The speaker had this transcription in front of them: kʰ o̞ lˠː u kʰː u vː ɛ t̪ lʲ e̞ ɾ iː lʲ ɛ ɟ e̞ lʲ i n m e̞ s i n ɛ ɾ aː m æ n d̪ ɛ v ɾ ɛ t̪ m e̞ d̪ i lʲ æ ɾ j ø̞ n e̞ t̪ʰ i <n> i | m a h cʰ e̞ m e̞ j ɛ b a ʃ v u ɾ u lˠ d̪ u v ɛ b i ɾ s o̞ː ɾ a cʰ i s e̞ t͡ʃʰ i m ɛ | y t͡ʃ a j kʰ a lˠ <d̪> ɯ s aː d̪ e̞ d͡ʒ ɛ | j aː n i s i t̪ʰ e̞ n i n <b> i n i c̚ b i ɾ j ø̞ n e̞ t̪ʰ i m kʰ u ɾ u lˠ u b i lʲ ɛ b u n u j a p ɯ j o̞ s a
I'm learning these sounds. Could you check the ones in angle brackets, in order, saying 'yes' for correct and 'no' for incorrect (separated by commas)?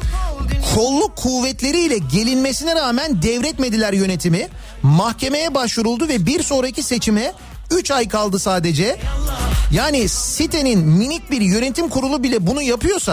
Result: no, yes, no